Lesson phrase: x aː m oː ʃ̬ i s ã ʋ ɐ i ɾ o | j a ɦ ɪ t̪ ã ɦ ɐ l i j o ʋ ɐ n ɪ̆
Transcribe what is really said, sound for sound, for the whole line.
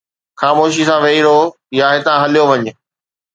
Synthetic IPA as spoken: x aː m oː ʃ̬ i s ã ʋ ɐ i ɾ o | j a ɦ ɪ t̪ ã ɦ ɐ l i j o ʋ ɐ ɲ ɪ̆

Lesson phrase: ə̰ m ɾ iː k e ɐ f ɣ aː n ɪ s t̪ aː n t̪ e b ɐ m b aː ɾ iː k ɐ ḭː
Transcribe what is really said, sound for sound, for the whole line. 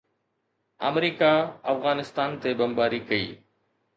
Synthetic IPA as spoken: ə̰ m ɾ iː k a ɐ f ɣ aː n ɪ s t̪ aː n t̪ e b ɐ m b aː ɾ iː k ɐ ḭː

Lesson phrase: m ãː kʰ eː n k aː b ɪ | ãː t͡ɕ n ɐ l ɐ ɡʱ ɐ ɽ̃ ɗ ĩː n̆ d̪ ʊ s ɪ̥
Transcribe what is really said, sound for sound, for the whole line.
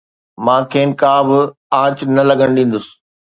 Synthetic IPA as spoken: m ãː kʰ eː n k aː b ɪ | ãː t͡ɕ n ɐ l ɐ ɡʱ ə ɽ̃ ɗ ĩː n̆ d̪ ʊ s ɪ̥

